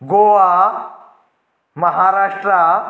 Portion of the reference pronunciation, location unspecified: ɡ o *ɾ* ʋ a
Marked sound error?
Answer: yes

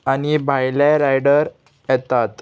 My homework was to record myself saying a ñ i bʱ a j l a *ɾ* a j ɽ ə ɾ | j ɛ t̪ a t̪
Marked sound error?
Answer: no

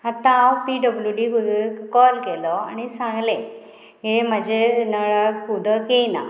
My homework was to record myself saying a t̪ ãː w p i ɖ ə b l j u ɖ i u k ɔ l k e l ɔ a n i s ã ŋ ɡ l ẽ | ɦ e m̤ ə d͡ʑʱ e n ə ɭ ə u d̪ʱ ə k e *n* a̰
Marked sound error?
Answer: no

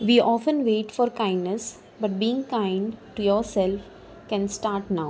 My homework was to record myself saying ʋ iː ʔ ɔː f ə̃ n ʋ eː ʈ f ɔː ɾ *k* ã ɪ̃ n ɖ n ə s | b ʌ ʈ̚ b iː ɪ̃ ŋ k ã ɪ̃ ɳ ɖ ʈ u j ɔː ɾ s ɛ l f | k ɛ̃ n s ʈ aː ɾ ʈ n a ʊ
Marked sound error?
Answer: no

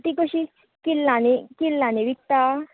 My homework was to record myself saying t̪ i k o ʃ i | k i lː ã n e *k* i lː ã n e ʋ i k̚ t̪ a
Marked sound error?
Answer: no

